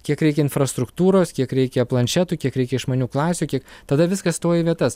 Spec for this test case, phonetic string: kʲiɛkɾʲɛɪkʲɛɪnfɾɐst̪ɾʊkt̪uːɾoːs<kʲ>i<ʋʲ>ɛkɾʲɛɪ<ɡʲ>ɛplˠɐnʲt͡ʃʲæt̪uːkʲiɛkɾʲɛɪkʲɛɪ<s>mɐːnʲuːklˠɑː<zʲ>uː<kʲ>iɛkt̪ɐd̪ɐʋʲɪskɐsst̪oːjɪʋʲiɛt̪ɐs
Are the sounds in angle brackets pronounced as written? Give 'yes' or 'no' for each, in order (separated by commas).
yes, no, no, no, no, yes